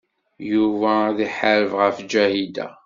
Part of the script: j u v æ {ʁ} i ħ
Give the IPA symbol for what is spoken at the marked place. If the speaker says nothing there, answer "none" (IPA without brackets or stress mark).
ð